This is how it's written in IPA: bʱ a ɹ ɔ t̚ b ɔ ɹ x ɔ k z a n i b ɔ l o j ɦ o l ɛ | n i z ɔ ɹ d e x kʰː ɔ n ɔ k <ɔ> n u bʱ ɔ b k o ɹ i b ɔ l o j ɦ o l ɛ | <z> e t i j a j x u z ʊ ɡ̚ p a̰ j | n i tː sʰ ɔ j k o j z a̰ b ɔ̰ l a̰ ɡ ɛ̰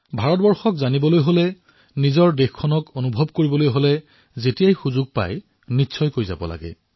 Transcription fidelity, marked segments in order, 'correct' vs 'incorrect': incorrect, correct

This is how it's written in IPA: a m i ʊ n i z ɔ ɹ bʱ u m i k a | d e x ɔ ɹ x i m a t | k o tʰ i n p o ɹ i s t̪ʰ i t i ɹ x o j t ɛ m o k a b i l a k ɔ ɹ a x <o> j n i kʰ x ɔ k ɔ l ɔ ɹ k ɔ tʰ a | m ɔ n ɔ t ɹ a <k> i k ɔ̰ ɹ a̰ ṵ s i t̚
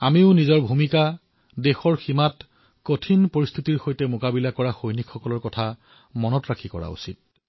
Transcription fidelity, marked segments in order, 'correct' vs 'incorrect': correct, incorrect

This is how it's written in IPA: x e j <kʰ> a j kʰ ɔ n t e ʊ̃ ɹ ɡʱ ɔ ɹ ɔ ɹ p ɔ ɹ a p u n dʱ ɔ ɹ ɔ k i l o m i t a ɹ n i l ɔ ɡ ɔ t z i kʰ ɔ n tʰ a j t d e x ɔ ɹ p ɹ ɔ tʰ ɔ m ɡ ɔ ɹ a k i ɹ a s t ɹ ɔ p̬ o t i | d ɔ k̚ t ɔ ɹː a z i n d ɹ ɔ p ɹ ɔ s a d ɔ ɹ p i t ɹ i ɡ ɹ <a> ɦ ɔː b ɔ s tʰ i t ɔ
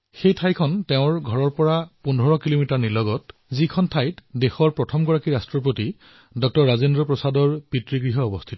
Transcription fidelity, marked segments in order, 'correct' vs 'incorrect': incorrect, incorrect

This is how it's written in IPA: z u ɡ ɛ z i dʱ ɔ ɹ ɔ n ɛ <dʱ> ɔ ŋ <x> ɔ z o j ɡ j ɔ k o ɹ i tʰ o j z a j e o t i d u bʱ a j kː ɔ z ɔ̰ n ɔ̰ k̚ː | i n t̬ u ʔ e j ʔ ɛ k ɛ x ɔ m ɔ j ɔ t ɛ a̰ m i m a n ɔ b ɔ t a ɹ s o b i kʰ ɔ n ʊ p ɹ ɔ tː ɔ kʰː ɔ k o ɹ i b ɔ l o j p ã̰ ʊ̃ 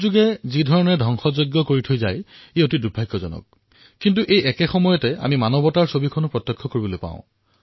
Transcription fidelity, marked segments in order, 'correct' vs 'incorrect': correct, correct

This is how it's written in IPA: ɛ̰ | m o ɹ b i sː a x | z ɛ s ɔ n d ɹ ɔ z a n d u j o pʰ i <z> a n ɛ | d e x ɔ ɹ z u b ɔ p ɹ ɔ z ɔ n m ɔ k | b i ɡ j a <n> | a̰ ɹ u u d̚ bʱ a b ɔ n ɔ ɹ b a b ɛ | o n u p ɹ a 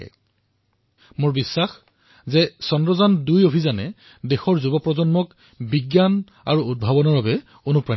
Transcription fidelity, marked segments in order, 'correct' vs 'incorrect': correct, correct

